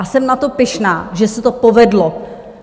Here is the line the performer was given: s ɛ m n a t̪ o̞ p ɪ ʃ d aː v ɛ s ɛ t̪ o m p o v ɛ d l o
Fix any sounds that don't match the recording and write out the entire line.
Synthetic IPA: s ɛ m n a t̪ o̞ p ɪ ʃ n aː ʒ ɛ s ɛ t̪ o p o v ɛ d l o